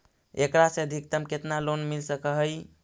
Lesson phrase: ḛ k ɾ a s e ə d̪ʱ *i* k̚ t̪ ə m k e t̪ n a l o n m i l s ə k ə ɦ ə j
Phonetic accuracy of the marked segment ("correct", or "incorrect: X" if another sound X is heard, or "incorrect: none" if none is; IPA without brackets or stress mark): correct